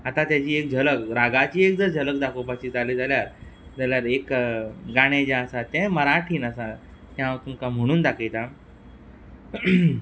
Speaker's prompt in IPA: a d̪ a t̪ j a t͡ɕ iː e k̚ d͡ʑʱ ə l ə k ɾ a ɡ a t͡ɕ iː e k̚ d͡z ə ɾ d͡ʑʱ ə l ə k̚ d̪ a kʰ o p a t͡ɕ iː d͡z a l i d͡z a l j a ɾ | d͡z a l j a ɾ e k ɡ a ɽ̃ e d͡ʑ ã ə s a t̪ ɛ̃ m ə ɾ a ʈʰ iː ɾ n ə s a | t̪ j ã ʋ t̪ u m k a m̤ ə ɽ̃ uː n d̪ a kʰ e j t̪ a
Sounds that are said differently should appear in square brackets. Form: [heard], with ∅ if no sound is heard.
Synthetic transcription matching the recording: a [t̪] a t̪ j a t͡ɕ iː e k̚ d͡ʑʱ ə l ə k ɾ a ɡ a t͡ɕ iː e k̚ d͡z ə ɾ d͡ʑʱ ə l ə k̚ d̪ a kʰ o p a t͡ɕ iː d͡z a l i d͡z a l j a ɾ | d͡z a l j a ɾ e k ɡ a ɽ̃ e d͡ʑ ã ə s a t̪ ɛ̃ m ə ɾ a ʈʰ iː [∅] n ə s a | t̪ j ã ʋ t̪ u m k a m̤ ə ɽ̃ uː n d̪ a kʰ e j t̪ a